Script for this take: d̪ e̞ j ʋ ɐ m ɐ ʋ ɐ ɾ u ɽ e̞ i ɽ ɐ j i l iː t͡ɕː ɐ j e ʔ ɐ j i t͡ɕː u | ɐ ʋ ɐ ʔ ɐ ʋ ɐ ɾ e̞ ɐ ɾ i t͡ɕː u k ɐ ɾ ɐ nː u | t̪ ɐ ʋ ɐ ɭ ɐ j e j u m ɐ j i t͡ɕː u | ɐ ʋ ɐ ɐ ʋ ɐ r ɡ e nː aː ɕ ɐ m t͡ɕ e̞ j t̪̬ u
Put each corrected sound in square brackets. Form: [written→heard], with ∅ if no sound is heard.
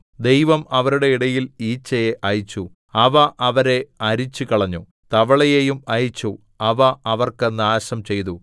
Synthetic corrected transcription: d̪ e̞ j ʋ ɐ m ɐ ʋ ɐ ɾ u ɽ e̞ i ɽ ɐ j i l iː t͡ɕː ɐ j e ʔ ɐ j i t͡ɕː u | ɐ ʋ ɐ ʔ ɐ ʋ ɐ ɾ e̞ ɐ ɾ i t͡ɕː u k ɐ [ɾ→ɭ] ɐ [nː→ɲː] u | t̪ ɐ ʋ ɐ ɭ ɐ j e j u m ɐ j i t͡ɕː u | ɐ ʋ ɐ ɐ ʋ ɐ r [ɡ→k] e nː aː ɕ ɐ m t͡ɕ e̞ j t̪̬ u